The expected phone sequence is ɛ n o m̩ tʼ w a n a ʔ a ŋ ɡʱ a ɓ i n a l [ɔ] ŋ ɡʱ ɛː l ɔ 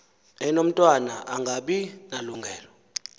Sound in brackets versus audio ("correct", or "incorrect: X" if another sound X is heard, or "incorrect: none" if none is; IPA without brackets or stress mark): incorrect: u